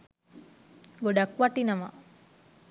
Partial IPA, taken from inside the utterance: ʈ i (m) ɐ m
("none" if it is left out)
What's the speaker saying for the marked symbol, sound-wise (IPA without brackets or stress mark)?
n